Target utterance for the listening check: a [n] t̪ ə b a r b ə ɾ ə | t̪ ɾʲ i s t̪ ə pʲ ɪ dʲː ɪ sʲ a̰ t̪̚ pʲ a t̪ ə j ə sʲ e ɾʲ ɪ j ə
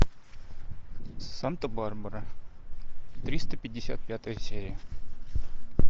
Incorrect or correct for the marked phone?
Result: correct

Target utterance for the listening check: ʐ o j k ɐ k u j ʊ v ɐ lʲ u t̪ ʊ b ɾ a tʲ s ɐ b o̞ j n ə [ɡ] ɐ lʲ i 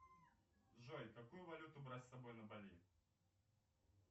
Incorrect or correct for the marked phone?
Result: incorrect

